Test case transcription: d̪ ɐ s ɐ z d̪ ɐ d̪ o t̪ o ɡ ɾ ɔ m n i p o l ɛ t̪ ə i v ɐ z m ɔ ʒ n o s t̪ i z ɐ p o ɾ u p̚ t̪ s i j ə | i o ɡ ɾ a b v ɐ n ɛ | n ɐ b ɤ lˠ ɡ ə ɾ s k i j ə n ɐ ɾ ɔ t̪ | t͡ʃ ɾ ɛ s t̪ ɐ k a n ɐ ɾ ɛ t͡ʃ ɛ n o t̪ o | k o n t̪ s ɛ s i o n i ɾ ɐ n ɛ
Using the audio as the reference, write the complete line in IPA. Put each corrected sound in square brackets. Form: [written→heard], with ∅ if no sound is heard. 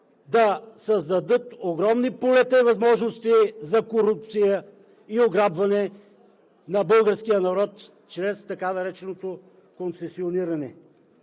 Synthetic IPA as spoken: d̪ ɐ s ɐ z d̪ ɐ d̪ [o→ɤ] t̪ o ɡ ɾ ɔ m n i p o l ɛ t̪ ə i v ɐ z m ɔ ʒ n o s t̪ i z ɐ [p→k] o ɾ u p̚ t̪ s i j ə | i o ɡ ɾ a b v ɐ n ɛ | n ɐ b ɤ lˠ ɡ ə ɾ s k i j ə n ɐ ɾ ɔ t̪ | t͡ʃ ɾ ɛ s t̪ ɐ k a n ɐ ɾ ɛ t͡ʃ ɛ n o t̪ o | k o n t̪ s ɛ s i o n i ɾ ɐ n ɛ